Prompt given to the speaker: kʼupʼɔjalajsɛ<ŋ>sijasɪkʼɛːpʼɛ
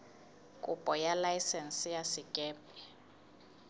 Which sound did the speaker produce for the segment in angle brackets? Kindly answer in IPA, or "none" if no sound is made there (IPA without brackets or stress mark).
n